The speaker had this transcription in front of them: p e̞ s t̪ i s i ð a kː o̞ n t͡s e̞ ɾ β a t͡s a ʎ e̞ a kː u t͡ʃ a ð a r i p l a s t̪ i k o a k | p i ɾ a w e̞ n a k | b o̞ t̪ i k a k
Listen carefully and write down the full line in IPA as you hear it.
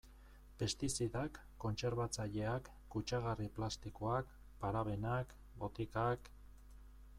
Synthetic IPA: p e̞ s t̪ i s i ð a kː o̞ n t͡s e̞ ɾ β a t͡s a ʎ e̞ a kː u t͡ʃ a ɣ a r i p l a s t̪ i k o a k | p a ɾ a β e̞ n a k | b o̞ t̪ i k a k